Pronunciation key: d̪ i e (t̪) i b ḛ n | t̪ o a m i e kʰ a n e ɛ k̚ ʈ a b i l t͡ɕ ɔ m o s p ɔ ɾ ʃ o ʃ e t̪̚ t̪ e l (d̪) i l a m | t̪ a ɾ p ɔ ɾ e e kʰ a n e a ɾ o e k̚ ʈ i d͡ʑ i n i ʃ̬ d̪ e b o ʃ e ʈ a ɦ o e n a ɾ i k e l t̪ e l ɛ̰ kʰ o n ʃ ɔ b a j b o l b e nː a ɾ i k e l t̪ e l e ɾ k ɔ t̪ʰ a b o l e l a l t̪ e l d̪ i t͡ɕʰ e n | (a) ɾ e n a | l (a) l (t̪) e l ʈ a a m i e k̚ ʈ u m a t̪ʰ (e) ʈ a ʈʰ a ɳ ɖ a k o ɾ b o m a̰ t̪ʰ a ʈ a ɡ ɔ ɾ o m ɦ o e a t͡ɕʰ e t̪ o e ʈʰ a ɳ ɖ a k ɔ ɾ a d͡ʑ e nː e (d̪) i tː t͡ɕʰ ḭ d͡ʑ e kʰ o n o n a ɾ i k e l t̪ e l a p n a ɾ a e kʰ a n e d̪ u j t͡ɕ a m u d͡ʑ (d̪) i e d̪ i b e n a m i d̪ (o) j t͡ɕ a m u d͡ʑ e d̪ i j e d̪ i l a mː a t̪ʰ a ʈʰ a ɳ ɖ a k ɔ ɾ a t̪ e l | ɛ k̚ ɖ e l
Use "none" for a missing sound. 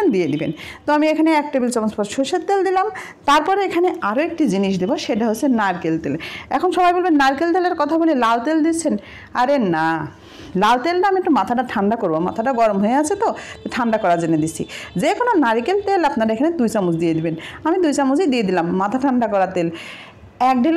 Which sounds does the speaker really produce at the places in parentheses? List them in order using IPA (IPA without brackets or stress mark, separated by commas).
d̪, d̪, a, a, t̪, a, d̪, d̪, u